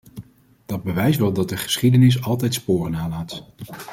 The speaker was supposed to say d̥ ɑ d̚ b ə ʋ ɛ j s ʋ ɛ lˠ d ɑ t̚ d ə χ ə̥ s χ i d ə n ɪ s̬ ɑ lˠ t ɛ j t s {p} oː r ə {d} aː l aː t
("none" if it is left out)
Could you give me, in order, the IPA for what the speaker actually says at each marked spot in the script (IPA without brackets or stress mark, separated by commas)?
p, n